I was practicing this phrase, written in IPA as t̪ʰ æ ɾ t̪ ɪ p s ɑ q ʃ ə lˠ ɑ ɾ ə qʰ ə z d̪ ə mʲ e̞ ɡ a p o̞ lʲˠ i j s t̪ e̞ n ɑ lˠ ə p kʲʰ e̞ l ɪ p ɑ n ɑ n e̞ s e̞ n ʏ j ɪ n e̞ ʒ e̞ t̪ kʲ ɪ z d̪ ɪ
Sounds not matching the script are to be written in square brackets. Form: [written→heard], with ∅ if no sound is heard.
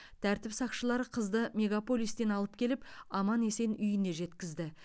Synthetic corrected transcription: t̪ʰ æ ɾ t̪ ɪ p s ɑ q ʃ ə lˠ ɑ ɾ ə qʰ ə z d̪ ə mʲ e̞ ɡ a p o̞ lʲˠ i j s t̪ e̞ n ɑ lˠ ə p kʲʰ e̞ l ɪ p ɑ [n→m] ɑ n e̞ s e̞ n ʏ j ɪ n e̞ ʒ e̞ t̪ kʲ ɪ z d̪ ɪ